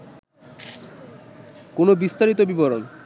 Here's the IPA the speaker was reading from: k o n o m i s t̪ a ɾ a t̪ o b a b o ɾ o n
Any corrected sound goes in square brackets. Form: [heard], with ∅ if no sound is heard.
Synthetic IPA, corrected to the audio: k o n o [b] i s t̪ a ɾ [i] t̪ o b [i] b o ɾ o n